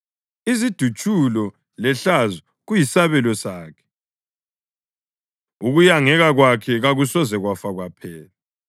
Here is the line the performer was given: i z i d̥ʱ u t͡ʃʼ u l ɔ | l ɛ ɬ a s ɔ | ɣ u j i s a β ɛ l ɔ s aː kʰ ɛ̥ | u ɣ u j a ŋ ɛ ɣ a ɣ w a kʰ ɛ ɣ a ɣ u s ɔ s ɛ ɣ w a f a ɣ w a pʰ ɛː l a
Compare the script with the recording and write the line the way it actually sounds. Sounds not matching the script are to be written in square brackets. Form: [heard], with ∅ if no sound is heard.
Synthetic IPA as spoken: i z i d̥ʱ u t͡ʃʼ u l ɔ | l ɛ ɬ a [z] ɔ | ɣ u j i s a β ɛ l ɔ s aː kʰ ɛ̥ | u ɣ u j a ŋ ɛ ɣ a ɣ w a kʰ ɛ ɣ a ɣ u s ɔ [z] ɛ ɣ w a f a ɣ w a pʰ ɛː l a

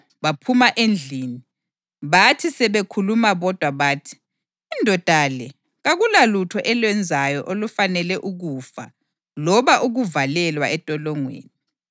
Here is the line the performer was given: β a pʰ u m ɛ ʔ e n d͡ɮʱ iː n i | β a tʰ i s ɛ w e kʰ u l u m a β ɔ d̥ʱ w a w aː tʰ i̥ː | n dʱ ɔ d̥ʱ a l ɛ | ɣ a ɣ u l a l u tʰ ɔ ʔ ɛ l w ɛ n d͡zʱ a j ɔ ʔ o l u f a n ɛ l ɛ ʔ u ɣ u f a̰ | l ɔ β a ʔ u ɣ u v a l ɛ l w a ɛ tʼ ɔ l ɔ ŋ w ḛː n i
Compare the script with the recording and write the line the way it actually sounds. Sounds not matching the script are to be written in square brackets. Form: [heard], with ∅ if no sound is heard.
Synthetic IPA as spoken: β a pʰ u m [a] ʔ e n d͡ɮʱ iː n i | β a tʰ i s ɛ [β] e kʰ u l u m a β ɔ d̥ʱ w a [β] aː tʰ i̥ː | n dʱ ɔ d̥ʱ a l ɛ | ɣ a ɣ u l a l u tʰ ɔ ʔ ɛ l w ɛ n d͡zʱ a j ɔ ʔ o l u f a n ɛ l ɛ ʔ u ɣ u f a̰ | l ɔ β a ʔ u ɣ u v a l ɛ l w a ɛ tʼ ɔ l ɔ ŋ w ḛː n i

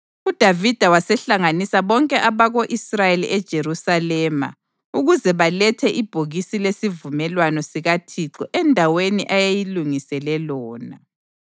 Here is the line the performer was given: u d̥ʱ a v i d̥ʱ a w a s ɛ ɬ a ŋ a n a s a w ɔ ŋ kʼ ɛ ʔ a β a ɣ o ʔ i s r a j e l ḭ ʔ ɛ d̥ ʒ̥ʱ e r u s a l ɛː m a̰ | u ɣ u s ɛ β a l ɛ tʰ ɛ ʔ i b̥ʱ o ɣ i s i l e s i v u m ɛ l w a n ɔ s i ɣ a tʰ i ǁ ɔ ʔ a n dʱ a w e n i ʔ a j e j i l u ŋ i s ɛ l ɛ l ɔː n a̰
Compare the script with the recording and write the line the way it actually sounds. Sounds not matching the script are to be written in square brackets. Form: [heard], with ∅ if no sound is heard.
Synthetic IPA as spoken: u d̥ʱ a v i d̥ʱ a w a s ɛ ɬ a ŋ a n [i] s a [β] ɔ ŋ kʼ ɛ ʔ a β a ɣ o ʔ i s r a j e l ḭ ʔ ɛ d̥ ʒ̥ʱ e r u s a l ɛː m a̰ | u ɣ u [z] ɛ β a l ɛ tʰ ɛ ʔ i b̥ʱ o ɣ i s i l e s i v u m ɛ l w a n ɔ s i ɣ a tʰ i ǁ ɔ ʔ [ɛ] n dʱ a w e n i ʔ a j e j i l u ŋ i s ɛ l ɛ l ɔː n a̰

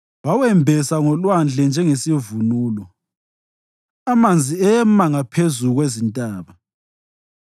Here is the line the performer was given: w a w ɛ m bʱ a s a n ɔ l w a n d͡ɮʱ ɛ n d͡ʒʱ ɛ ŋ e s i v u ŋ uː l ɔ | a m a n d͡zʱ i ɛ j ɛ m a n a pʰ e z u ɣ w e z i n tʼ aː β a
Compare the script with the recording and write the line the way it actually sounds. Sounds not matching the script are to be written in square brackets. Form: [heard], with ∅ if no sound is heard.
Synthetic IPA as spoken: w a w ɛ m bʱ [ɛ] s a [ŋ] ɔ l w a n d͡ɮʱ ɛ n d͡ʒʱ ɛ ŋ e s i v u [n] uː l ɔ | a m a n d͡zʱ i ɛ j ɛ m a [ŋ] a pʰ e z u ɣ w e z i n tʼ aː β a

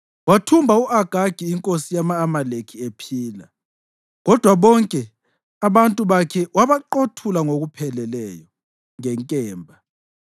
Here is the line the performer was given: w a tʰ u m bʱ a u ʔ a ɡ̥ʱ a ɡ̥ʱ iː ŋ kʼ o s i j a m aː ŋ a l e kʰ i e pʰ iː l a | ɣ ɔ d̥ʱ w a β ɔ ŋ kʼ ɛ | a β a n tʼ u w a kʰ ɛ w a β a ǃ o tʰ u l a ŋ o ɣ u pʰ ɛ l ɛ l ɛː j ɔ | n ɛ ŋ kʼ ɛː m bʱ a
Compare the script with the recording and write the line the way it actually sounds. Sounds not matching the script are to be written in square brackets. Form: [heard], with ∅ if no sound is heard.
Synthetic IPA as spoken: w a tʰ u m bʱ a u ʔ a ɡ̥ʱ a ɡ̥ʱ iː ŋ kʼ o s i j a m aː [m] a l e kʰ i e pʰ iː l a | ɣ ɔ d̥ʱ w a β ɔ ŋ kʼ ɛ | a β a n tʼ u [β] a kʰ ɛ w a β a ǃ o tʰ u l a ŋ o ɣ u pʰ ɛ l ɛ l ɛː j ɔ | [ŋ] ɛ ŋ kʼ ɛː m bʱ a

